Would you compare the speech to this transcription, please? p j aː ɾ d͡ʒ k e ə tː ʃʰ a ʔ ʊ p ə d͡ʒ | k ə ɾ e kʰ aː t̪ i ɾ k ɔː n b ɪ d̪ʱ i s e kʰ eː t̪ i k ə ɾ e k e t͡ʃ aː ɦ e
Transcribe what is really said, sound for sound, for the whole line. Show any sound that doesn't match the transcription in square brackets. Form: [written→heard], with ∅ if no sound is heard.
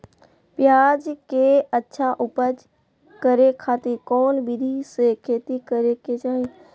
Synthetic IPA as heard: p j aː [ɾ→∅] d͡ʒ k e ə tː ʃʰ a ʔ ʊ p ə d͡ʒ | k ə ɾ e kʰ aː t̪ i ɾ k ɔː n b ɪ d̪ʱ i s e kʰ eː t̪ i k ə ɾ e k e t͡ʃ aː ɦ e

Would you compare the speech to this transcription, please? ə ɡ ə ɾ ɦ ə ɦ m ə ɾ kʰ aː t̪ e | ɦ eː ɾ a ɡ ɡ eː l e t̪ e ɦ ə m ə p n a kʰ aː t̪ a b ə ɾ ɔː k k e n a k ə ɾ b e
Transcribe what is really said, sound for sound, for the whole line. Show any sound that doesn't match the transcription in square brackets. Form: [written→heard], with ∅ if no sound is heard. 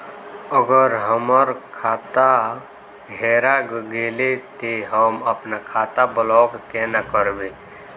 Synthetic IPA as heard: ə ɡ ə ɾ ɦ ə [ɦ→∅] m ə ɾ kʰ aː t̪ [e→a] | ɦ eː ɾ a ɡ ɡ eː l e t̪ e ɦ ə m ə p n a kʰ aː t̪ a b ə [ɾ→l] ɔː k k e n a k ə ɾ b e

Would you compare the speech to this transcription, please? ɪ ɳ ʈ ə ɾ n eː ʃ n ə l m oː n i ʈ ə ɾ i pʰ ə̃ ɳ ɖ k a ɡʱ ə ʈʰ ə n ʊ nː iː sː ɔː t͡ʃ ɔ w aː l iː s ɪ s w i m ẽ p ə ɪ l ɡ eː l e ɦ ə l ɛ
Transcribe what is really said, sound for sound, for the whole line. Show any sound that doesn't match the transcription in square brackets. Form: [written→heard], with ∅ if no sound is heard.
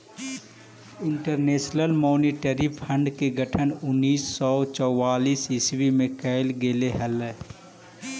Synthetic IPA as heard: ɪ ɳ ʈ ə ɾ n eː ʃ n ə l m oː n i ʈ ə ɾ i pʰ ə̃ ɳ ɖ k [a→e] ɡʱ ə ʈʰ ə n ʊ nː iː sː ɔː t͡ʃ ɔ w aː l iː s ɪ s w i m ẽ [p→k] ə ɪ l ɡ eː l e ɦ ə l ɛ

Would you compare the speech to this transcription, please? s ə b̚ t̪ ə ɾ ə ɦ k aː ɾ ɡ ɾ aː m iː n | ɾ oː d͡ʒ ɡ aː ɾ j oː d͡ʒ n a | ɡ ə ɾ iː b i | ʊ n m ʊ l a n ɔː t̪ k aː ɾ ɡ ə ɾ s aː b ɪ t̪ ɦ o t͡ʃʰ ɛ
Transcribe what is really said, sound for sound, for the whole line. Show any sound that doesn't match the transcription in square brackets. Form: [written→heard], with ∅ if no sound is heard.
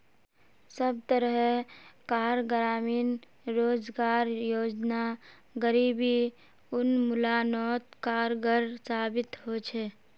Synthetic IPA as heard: s ə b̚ t̪ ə ɾ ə ɦ k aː ɾ ɡ ɾ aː m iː n | ɾ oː d͡ʒ ɡ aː ɾ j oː d͡ʒ n a | ɡ ə ɾ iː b i | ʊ n m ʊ l a n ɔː t̪ k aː ɾ ɡ ə ɾ s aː b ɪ t̪ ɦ o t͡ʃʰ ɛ

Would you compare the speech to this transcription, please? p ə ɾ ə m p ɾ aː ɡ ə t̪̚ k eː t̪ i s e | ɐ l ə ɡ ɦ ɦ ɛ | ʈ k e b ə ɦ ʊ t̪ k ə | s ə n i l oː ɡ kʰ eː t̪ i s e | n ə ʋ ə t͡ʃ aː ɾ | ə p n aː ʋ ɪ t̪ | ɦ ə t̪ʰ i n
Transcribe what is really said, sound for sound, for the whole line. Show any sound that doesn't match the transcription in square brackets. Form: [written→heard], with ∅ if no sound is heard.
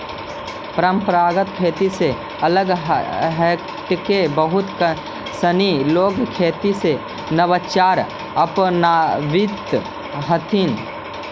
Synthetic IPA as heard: p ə ɾ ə m p ɾ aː ɡ ə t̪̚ [k→kʰ] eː t̪ i s e | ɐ l ə ɡ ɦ ɦ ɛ | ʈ k e b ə ɦ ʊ t̪ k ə | s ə n i l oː ɡ kʰ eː t̪ i s e | n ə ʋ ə t͡ʃ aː ɾ | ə p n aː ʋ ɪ t̪ | ɦ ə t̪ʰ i n

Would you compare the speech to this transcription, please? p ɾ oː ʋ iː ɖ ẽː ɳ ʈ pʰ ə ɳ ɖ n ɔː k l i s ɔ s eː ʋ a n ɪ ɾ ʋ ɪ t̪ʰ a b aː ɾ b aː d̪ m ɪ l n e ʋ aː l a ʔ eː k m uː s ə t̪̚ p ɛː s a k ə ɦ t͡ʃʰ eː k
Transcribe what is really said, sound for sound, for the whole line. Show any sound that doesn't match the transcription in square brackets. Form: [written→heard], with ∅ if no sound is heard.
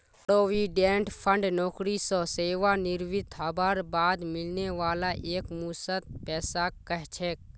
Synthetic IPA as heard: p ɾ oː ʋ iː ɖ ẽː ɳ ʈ pʰ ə ɳ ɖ n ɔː k [l→ɾ] i s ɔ s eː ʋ a n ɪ ɾ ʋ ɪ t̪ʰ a b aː ɾ b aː d̪ m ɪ l n e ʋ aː l a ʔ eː k m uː s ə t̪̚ p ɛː s a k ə ɦ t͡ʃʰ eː k

